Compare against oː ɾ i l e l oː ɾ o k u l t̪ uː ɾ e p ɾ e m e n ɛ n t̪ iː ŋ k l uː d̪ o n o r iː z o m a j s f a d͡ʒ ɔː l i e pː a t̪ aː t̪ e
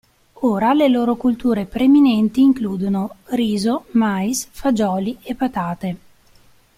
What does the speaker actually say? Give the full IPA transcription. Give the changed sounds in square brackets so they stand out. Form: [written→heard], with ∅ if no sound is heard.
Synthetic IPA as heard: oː ɾ [i→a] l e l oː ɾ o k u l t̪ uː ɾ e p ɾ e m [e→i] n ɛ n t̪ iː ŋ k l uː d̪ o n o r iː z o m a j s f a d͡ʒ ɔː l i e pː a t̪ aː t̪ e

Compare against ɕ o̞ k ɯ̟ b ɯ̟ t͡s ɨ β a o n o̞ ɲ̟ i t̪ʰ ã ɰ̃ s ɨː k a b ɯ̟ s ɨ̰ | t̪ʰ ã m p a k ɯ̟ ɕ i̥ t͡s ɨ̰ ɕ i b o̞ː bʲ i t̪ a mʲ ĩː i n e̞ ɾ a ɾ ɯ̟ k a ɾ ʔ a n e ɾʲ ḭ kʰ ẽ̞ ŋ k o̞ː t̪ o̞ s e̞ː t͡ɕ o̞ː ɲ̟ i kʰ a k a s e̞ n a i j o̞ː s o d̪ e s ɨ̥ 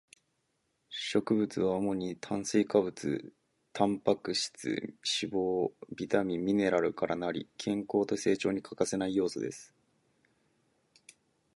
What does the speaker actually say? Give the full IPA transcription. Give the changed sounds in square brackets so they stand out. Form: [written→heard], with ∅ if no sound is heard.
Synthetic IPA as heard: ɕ o̞ k ɯ̟ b ɯ̟ t͡s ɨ β a o [n→m] o̞ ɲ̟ i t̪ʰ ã ɰ̃ s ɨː k a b ɯ̟ [s→t͡s] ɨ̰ | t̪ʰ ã m p a k ɯ̟ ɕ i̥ t͡s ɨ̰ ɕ i b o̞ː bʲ i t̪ a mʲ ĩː i n e̞ ɾ a ɾ ɯ̟ k a ɾ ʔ a n [e→a] ɾʲ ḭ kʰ ẽ̞ ŋ k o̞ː t̪ o̞ s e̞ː t͡ɕ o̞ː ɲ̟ i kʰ a k a s e̞ n a i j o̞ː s o d̪ e s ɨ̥

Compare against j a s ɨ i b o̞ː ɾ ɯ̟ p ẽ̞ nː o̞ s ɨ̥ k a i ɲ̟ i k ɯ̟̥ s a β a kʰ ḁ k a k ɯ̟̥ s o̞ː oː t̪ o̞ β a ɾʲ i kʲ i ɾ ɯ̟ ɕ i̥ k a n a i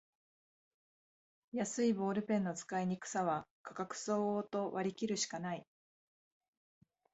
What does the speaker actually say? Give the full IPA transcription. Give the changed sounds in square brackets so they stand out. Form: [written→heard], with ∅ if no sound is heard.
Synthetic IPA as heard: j a s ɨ i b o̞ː ɾ ɯ̟ p ẽ̞ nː o̞ [s→t͡s] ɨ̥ k a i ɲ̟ i k ɯ̟̥ s a β a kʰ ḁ k a k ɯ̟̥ s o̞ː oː t̪ o̞ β a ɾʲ i kʲ i ɾ ɯ̟ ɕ i̥ k a n a i

